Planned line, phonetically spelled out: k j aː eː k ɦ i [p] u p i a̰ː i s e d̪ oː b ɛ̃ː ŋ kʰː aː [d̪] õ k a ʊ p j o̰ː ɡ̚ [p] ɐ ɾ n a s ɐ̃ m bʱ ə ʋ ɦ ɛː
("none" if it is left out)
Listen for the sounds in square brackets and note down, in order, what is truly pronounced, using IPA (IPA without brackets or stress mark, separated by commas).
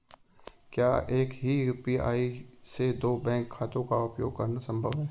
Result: none, t̪, k